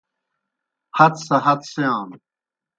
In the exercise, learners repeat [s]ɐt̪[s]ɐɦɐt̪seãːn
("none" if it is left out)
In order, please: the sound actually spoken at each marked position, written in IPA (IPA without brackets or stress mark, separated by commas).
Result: h, s